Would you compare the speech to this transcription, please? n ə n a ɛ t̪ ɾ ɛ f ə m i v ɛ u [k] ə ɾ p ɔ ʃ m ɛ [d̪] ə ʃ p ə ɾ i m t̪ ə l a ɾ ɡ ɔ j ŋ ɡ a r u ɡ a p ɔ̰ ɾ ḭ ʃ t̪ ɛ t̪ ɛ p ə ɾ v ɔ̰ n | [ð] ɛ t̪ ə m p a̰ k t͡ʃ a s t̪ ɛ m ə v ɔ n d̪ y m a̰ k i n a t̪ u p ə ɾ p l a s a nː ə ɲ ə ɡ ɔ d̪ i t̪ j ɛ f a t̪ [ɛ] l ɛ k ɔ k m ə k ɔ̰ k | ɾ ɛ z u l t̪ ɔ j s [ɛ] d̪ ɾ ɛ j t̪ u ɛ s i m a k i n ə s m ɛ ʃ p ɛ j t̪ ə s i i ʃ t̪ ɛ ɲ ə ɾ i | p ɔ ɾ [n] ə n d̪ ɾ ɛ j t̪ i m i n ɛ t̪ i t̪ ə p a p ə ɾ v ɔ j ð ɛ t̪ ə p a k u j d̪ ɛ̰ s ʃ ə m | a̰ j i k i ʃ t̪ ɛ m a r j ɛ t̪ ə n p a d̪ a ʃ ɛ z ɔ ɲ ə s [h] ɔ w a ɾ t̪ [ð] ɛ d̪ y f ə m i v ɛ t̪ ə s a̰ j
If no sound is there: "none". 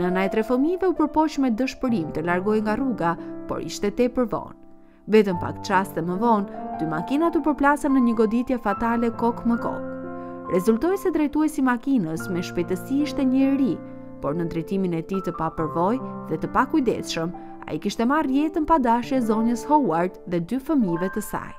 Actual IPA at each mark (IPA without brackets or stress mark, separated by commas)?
p, d̪, v, a, ɛ, n, h, ð